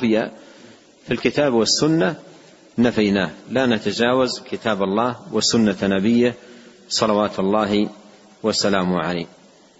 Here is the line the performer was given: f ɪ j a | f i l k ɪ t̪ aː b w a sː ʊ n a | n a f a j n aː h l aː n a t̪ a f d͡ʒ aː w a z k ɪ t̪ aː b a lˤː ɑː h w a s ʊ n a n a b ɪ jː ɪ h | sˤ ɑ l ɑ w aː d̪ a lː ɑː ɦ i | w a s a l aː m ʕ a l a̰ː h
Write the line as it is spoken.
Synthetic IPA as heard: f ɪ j a | f i l k ɪ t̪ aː b w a sː ʊ nː a | n a f a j n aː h l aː n a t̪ a d͡ʒ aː w a z k ɪ t̪ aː b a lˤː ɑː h w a s ʊ nː a n a b ɪ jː ɪ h | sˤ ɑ l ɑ w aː t̪ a lː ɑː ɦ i | w a s a l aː m ʕ a l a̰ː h